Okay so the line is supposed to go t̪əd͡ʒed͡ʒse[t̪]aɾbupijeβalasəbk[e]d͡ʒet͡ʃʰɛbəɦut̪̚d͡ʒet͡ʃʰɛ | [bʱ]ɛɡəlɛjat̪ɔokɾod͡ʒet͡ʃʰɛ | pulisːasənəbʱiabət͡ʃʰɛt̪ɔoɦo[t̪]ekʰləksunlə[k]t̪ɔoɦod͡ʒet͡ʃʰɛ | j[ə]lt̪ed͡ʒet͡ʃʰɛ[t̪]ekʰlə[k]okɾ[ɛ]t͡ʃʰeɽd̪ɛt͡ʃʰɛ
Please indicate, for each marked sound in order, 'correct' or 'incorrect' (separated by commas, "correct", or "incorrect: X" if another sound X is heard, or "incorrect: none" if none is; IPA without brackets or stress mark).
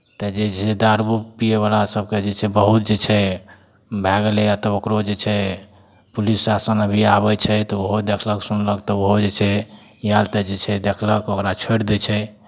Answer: incorrect: d̪, correct, correct, incorrect: d̪, correct, incorrect: a, incorrect: d̪, correct, incorrect: a